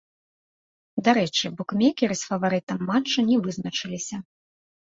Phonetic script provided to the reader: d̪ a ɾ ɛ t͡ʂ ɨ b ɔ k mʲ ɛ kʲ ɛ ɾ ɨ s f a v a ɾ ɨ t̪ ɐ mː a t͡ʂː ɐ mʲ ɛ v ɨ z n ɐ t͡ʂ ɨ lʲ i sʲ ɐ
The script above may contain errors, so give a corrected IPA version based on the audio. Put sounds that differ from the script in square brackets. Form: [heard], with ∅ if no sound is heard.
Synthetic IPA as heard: d̪ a ɾ ɛ t͡ʂ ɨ b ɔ k mʲ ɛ kʲ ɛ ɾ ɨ s f [ɐ] v a ɾ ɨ t̪ ɐ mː a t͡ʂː ɐ [nʲ] ɛ v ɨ z n ɐ t͡ʂ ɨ lʲ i sʲ ɐ